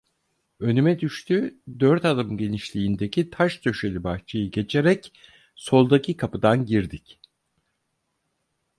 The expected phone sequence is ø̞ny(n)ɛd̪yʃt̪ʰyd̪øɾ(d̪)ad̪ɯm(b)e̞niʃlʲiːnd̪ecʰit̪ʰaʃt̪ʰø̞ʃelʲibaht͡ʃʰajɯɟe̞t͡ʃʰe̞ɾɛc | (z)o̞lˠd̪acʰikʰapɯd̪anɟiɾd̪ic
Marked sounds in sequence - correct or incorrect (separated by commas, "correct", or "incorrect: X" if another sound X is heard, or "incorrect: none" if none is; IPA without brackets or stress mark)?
incorrect: m, incorrect: t̪, incorrect: ɟ, incorrect: s